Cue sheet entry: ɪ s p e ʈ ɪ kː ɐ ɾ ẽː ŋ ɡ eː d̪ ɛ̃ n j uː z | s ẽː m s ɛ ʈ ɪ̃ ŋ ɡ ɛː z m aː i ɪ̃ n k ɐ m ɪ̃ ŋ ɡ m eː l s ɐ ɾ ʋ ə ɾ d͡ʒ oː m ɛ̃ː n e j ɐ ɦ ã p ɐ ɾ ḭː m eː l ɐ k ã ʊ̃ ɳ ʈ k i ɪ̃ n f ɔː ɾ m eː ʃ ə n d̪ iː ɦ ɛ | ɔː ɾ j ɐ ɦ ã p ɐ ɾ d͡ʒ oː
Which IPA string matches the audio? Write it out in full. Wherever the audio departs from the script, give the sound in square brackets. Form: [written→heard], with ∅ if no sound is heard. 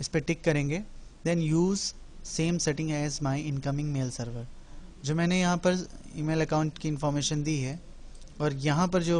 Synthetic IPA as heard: ɪ s p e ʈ ɪ kː ɐ ɾ ẽː ŋ ɡ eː d̪ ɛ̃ n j uː z | s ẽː m s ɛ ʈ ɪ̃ ŋ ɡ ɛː z m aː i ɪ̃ n k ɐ m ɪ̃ ŋ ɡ m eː l s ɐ ɾ ʋ ə ɾ d͡ʒ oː m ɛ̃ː n e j ɐ ɦ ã p ɐ ɾ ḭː m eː l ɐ k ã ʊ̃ ɳ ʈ k i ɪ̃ n f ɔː ɾ m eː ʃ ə n d̪ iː ɦ ɛ | ɔː ɾ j ɐ ɦ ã p ɐ ɾ d͡ʒ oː